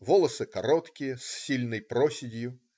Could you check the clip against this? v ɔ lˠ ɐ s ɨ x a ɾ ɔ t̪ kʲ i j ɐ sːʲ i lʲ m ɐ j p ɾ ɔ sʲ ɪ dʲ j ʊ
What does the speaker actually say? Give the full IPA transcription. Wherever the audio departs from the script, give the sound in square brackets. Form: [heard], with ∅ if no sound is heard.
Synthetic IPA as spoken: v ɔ lˠ ɐ s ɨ [k] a ɾ ɔ t̪ kʲ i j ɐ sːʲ i lʲ [n] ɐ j p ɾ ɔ sʲ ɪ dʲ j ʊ